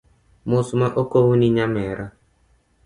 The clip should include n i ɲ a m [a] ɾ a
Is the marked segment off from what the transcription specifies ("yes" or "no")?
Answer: yes